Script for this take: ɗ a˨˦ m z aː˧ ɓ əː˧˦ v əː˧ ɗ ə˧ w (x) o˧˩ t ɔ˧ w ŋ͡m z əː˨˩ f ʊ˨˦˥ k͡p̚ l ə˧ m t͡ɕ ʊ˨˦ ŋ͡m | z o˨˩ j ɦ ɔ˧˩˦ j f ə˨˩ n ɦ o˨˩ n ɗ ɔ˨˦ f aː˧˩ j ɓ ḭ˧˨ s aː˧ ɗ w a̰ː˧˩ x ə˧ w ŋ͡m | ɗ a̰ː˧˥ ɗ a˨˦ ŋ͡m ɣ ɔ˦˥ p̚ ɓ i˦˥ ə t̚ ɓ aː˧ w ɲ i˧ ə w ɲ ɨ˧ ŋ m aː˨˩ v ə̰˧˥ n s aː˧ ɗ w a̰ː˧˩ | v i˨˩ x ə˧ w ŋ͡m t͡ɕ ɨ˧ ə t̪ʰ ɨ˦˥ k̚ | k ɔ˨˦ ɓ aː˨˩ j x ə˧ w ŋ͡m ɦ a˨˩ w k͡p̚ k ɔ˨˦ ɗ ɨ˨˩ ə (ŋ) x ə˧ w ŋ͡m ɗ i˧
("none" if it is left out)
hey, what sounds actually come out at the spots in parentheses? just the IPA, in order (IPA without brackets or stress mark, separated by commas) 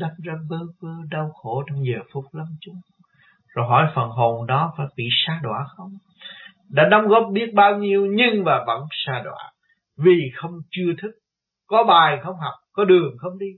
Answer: x, ŋ